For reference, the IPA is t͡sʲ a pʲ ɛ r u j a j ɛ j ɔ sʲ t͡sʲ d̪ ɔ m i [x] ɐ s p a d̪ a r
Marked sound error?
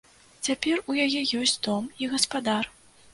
yes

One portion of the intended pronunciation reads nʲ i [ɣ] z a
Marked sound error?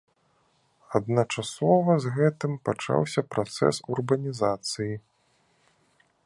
yes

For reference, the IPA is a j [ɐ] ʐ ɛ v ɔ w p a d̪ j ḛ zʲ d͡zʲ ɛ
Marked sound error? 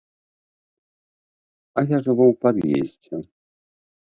yes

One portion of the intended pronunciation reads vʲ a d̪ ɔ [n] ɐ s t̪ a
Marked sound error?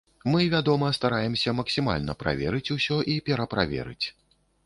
yes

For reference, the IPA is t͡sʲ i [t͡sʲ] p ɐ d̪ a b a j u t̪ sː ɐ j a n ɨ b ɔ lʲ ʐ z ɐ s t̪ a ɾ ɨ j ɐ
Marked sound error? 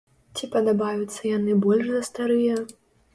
yes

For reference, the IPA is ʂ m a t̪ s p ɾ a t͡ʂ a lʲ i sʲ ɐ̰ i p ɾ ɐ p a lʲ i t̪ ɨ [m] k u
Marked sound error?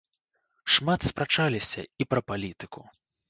yes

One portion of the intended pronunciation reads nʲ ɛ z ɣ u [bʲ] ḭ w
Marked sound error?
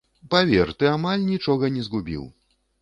no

